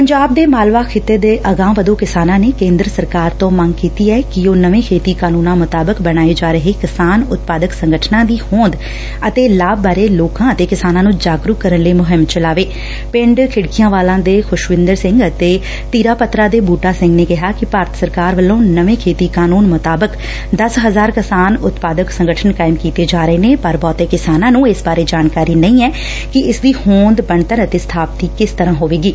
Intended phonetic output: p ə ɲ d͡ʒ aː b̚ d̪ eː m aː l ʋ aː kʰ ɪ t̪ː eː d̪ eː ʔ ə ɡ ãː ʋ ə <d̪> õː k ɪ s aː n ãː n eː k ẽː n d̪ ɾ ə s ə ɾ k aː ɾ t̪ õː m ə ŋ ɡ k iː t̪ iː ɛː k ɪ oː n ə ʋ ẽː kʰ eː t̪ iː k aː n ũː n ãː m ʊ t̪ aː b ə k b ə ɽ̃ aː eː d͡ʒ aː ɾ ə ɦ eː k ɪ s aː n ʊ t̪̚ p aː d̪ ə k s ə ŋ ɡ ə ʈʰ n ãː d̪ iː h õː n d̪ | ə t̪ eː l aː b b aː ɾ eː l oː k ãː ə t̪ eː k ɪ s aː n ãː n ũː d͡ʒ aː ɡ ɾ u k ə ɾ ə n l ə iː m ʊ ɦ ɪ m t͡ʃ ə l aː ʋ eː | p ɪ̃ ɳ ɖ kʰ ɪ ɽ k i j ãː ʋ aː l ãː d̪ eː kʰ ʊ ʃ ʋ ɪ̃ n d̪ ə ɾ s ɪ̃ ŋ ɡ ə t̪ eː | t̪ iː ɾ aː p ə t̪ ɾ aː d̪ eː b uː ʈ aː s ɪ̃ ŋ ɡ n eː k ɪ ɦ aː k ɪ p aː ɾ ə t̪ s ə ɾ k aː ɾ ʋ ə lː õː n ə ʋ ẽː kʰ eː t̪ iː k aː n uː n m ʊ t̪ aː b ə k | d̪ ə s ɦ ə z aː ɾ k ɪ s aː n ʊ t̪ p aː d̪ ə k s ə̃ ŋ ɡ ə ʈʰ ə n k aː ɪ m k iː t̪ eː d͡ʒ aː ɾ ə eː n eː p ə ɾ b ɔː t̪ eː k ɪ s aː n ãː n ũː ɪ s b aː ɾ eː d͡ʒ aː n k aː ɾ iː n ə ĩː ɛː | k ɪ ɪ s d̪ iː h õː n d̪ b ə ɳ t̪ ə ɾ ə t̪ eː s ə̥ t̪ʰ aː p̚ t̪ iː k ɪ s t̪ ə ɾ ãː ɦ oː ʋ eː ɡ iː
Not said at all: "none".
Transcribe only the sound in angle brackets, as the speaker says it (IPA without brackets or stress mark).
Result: d̪